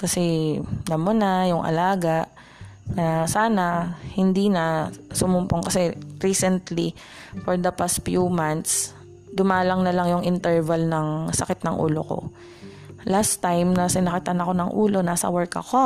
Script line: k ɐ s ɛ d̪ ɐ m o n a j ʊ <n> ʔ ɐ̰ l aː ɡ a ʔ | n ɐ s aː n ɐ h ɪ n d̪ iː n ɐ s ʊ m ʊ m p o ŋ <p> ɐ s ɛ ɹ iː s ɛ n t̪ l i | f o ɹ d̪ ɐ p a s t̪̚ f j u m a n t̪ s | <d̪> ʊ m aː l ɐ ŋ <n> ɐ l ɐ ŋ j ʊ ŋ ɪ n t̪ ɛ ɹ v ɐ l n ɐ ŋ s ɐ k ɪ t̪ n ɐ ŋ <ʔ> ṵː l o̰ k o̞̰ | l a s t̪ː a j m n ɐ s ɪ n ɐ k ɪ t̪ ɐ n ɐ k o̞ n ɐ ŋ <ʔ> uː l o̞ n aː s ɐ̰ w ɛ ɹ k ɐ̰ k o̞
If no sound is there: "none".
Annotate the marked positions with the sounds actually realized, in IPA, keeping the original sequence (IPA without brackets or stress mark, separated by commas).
ŋ, k, d̪, n, ʔ, ʔ